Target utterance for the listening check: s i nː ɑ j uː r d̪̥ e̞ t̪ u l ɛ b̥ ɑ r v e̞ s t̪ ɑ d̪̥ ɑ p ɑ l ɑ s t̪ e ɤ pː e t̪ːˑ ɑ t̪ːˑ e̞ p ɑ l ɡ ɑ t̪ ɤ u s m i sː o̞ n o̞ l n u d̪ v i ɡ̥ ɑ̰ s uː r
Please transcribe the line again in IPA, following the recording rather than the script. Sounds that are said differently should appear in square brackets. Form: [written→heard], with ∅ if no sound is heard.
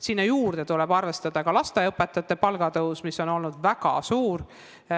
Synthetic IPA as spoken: s i nː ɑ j uː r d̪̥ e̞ t̪ u l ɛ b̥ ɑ r v e̞ s t̪ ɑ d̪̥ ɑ [p→k] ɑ l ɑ s t̪ e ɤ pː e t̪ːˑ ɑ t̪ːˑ e̞ p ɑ l ɡ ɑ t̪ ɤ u s m i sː o̞ n o̞ l n u d̪ v [i→æ] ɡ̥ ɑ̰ s uː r